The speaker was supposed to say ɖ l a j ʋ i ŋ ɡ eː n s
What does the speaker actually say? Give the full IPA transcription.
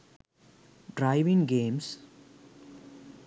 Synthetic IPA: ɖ ɾ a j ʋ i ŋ ɡ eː m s